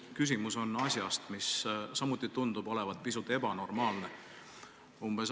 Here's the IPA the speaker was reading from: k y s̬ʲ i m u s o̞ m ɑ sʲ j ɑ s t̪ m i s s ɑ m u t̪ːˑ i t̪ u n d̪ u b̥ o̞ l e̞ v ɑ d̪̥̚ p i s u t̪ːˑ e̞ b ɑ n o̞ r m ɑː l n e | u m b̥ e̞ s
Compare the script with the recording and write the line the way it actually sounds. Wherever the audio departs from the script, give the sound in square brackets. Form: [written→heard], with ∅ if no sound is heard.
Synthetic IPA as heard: k y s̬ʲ i m u s o̞ [m→n] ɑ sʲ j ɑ s t̪ m i s s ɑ m u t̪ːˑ i t̪ u n d̪ u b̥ o̞ l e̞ v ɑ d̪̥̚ p i s u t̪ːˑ e̞ b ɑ n o̞ r m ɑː l n e | u m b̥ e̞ s